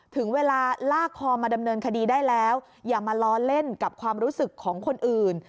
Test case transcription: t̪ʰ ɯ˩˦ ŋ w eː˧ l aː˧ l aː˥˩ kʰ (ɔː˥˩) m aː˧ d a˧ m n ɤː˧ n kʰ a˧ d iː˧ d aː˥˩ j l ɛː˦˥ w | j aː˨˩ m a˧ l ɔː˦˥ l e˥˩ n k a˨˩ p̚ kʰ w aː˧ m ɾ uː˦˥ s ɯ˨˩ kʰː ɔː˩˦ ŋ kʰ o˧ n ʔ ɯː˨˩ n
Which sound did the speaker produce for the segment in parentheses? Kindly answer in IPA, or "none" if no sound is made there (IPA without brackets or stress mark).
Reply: ɔː˧